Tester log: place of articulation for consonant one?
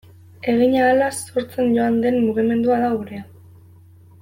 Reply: velar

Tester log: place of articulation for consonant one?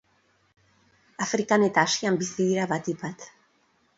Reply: labial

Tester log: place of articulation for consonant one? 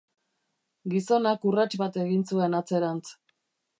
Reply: velar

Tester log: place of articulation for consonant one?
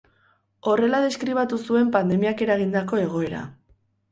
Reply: alveolar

